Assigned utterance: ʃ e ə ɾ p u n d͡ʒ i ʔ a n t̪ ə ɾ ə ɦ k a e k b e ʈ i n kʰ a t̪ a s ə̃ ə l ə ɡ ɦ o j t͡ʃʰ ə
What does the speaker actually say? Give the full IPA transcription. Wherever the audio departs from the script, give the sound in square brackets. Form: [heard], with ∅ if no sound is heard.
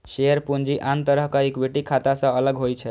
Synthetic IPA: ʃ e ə ɾ p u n d͡ʒ i ʔ a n t̪ ə ɾ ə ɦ k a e k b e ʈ i [∅] kʰ a t̪ a s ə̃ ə l ə ɡ ɦ o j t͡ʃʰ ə